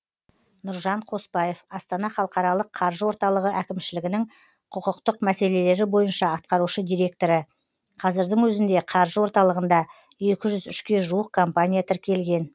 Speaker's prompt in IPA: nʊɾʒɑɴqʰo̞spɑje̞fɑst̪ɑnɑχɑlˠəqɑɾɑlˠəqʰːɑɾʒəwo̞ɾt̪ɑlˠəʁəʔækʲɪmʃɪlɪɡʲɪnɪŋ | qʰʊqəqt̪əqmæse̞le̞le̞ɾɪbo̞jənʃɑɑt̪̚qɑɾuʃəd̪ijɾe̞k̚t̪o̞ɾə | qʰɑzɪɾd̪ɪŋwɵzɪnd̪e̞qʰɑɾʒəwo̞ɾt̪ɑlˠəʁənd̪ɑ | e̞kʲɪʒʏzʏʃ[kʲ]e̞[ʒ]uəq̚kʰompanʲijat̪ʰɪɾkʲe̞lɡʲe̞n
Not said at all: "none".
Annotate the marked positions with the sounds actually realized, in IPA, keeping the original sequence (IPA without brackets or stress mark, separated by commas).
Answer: kʲ, ʒ